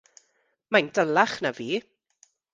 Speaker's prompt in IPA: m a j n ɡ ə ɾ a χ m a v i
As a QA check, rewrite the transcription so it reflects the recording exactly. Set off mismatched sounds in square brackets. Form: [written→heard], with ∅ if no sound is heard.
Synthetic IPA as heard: m a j n [ɡ→d] ə [ɾ→l] a χ [m→n] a v [i→iː]